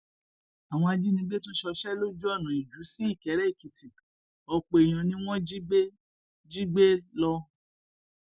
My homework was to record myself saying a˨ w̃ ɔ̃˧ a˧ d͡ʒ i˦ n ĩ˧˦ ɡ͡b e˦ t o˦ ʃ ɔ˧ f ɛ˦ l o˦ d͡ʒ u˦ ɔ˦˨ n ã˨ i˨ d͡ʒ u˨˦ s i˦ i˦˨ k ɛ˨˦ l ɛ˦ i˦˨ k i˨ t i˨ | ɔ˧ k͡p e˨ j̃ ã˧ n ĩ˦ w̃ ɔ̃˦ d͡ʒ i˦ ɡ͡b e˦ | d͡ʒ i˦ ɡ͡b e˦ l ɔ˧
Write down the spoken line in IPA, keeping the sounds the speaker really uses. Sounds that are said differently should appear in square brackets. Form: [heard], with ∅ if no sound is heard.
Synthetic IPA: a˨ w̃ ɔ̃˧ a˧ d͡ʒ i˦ n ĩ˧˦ ɡ͡b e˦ t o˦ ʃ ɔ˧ [ʃ] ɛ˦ l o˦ d͡ʒ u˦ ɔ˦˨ n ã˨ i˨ d͡ʒ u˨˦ s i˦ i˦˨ k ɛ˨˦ [ɾ] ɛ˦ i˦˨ k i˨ t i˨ | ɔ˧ k͡p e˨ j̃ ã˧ n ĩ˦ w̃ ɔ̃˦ d͡ʒ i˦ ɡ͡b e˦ | d͡ʒ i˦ ɡ͡b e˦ l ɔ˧

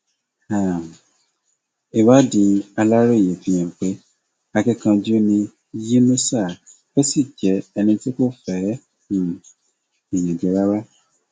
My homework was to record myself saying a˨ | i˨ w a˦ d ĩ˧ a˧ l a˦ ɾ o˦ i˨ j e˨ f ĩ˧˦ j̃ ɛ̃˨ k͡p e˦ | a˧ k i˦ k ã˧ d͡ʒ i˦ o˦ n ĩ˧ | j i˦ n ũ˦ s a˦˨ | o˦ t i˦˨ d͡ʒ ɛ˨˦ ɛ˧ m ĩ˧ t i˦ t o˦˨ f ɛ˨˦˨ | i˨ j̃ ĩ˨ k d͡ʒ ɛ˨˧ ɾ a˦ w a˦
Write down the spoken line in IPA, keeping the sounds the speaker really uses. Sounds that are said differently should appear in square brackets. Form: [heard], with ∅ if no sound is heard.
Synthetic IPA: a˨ | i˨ w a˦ d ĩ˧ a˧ l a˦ ɾ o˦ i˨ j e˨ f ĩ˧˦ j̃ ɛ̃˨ k͡p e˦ | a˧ k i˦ k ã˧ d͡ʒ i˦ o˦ n ĩ˧ | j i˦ n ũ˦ s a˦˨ | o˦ [s] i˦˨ d͡ʒ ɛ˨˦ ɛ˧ [n] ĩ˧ t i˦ [k] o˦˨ f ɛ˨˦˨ | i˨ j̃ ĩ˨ [∅] d͡ʒ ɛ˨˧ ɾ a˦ w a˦

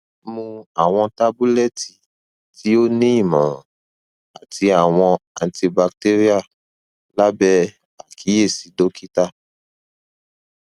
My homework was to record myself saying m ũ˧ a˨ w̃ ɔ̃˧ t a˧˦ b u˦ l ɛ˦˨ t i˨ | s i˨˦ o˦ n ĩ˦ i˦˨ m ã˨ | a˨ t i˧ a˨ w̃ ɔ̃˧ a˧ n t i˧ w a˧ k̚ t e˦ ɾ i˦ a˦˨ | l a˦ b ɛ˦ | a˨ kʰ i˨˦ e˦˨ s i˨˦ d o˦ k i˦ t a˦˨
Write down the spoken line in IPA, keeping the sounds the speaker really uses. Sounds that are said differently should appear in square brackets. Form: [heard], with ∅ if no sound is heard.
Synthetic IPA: m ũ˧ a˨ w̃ ɔ̃˧ t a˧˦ b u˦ l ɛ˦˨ t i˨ | [t] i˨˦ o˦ n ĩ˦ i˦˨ m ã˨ | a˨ t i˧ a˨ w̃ ɔ̃˧ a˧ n t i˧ [b] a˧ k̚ t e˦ ɾ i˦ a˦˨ | l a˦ b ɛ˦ | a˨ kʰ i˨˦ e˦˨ s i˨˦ d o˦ k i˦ t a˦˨

